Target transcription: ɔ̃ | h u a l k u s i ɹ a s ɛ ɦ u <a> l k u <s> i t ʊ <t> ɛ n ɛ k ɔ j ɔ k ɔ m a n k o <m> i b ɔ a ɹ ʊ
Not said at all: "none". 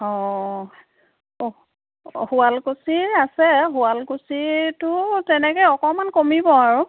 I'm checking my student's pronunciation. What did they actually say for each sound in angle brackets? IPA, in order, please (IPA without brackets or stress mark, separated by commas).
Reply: a, s, t, m